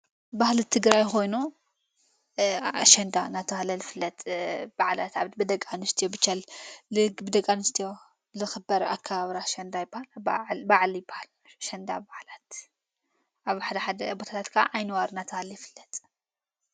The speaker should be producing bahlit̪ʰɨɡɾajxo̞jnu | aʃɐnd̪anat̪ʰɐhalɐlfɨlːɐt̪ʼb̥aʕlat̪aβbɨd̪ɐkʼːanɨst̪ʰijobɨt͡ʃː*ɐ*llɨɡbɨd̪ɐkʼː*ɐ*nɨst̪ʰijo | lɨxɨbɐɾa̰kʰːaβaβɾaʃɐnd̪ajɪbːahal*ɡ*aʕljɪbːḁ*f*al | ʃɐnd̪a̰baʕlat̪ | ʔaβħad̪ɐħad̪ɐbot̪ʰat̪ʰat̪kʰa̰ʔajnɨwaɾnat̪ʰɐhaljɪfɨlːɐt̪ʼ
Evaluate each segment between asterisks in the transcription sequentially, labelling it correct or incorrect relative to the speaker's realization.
incorrect: a, incorrect: a, incorrect: b, incorrect: h

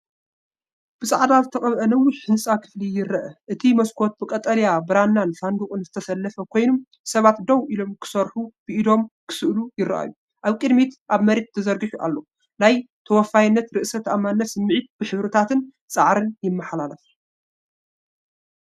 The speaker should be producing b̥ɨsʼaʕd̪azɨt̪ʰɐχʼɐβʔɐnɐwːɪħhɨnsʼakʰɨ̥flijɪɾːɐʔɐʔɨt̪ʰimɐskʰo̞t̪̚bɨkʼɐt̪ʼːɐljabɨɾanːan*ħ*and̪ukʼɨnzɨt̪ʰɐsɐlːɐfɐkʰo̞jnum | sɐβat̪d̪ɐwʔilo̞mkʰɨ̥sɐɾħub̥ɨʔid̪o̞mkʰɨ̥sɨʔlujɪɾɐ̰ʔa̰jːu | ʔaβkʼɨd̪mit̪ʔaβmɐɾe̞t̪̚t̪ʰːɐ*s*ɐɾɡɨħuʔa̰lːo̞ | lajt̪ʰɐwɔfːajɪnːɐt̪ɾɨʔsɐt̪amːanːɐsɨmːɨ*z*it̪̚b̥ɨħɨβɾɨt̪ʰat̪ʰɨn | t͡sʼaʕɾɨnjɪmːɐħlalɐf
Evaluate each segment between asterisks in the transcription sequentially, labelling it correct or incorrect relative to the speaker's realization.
incorrect: f, incorrect: z, incorrect: ʕ

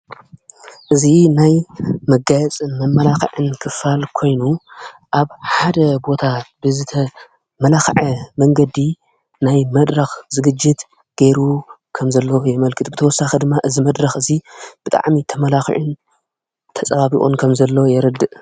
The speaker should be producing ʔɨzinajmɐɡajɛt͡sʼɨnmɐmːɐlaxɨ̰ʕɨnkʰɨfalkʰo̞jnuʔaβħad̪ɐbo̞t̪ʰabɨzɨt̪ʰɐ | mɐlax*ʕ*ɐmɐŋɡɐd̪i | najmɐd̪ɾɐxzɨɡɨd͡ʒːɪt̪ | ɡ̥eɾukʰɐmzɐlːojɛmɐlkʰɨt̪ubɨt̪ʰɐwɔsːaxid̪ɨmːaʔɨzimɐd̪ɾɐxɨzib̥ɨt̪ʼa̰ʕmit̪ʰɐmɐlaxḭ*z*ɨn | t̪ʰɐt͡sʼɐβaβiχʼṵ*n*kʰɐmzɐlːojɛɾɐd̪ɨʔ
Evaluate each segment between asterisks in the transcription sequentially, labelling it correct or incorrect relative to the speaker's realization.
correct, incorrect: ʕ, correct

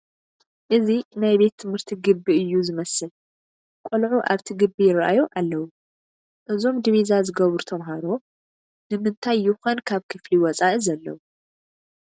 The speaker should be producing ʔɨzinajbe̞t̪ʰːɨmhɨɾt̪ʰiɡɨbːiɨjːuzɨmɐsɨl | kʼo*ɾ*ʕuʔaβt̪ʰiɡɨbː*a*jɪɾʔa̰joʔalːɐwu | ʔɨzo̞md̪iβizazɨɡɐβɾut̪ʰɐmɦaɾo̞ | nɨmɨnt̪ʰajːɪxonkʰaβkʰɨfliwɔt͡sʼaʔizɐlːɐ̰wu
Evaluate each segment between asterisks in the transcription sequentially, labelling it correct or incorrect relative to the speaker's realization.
incorrect: l, incorrect: i

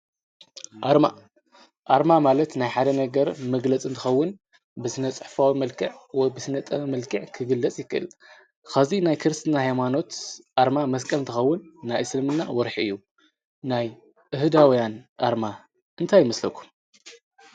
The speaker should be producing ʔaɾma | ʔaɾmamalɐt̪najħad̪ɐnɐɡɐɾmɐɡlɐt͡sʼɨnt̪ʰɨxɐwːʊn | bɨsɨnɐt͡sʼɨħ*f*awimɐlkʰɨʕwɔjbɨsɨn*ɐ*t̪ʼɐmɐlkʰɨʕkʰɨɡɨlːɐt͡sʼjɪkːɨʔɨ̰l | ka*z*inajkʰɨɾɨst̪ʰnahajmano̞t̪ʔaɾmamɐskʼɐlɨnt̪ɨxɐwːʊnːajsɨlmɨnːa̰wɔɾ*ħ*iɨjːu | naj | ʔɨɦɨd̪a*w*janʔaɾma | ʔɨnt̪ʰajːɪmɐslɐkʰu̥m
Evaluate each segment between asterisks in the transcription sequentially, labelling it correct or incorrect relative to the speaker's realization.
correct, correct, correct, correct, correct

